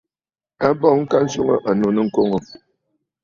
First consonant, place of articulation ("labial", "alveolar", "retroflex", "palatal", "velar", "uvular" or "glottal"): labial